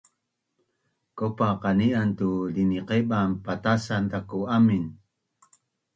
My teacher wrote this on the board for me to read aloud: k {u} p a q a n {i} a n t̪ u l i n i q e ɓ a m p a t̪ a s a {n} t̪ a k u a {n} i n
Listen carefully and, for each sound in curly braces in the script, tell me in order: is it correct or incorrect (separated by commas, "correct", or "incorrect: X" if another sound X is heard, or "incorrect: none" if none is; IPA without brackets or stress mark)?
incorrect: o, correct, correct, incorrect: m